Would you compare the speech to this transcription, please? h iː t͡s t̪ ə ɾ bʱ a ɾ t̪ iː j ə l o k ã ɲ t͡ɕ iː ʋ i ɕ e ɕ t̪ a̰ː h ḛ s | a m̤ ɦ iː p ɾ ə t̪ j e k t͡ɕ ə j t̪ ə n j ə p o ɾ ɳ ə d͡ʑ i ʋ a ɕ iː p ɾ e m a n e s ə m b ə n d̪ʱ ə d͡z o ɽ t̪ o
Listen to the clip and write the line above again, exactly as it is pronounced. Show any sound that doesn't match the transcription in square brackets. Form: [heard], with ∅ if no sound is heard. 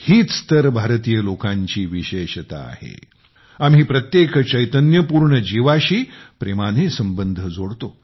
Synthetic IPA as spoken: h iː t͡s t̪ ə ɾ bʱ a ɾ t̪ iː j ə l o k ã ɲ t͡ɕ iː ʋ i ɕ e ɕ t̪ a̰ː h ḛ [∅] | a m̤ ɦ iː p ɾ ə t̪ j e k t͡ɕ ə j t̪ ə n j ə p [u] ɾ ɳ ə d͡ʑ i ʋ a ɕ iː p ɾ e m a n e s ə m b ə n d̪ʱ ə d͡z o ɽ t̪ o